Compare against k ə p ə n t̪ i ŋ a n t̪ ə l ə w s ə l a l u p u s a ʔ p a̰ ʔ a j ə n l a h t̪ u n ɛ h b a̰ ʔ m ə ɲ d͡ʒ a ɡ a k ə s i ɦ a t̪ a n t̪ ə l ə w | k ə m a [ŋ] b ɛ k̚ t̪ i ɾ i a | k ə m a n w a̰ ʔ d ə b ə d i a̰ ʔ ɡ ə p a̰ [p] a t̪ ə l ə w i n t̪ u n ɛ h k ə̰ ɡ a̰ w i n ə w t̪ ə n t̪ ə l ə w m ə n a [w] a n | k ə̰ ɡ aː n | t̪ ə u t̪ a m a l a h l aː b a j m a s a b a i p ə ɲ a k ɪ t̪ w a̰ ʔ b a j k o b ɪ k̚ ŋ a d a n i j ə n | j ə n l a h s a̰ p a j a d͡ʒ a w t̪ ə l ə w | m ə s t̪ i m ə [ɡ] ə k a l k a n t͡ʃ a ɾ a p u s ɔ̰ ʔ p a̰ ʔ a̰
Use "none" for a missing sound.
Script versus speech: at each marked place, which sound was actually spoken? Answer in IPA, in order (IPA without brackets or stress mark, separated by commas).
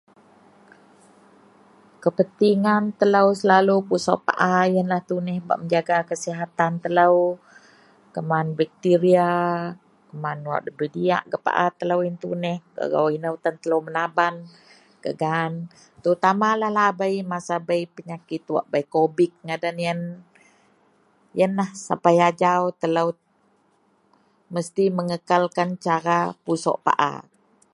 n, ʔ, b, ŋ